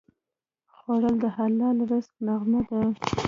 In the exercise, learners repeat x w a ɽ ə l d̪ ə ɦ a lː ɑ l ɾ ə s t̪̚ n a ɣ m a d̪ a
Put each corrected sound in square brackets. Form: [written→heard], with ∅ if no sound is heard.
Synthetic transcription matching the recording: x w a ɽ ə l d̪ ə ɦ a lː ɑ l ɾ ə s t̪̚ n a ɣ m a d̪ a